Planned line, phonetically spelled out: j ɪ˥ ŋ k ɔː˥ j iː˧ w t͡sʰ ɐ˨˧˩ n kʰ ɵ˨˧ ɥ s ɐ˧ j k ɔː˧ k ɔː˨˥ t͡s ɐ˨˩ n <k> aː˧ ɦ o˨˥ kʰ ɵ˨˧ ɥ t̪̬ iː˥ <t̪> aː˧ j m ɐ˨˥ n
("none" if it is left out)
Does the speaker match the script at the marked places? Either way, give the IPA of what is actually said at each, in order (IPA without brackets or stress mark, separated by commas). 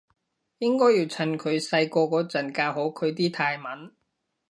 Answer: k, t̪ʰ